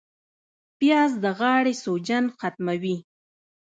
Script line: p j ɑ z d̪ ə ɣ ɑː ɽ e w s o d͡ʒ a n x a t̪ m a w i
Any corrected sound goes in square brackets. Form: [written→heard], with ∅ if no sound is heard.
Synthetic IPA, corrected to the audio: p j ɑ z d̪ ə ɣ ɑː ɽ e [w→∅] s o d͡ʒ a n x a t̪ m a w i